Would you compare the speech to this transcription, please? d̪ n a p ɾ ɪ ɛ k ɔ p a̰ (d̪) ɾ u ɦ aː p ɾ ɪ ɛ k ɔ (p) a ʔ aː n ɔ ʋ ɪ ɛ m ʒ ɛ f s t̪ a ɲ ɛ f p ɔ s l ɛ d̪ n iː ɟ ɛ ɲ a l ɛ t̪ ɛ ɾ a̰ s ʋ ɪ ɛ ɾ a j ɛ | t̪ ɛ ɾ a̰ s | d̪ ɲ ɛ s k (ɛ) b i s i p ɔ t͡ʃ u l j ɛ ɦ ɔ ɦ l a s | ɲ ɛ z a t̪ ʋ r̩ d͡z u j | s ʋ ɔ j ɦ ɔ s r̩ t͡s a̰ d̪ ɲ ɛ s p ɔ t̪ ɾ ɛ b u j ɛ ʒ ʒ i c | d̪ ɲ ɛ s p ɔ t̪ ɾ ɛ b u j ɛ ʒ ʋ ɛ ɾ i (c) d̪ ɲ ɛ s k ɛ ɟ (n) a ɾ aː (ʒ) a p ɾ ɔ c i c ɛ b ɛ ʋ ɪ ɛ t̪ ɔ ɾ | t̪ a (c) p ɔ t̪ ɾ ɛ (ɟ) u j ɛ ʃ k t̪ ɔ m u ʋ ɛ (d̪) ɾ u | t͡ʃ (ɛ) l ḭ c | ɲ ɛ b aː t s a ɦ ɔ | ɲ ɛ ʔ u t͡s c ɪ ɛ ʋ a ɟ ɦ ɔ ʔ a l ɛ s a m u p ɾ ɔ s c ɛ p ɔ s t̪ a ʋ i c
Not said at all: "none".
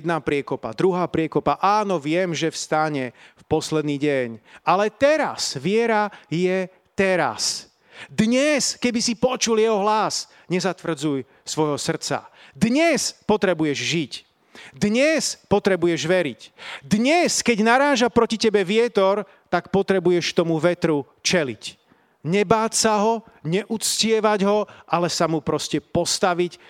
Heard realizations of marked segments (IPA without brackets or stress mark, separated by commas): d̪, p, ɛ, c, n, ʒ, k, b, t̪, ɛ